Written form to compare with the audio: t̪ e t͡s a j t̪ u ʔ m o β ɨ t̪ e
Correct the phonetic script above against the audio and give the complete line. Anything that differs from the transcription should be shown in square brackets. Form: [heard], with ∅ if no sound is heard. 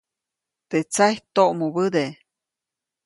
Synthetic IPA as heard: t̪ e t͡s a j t̪ [o] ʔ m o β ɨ [d̪] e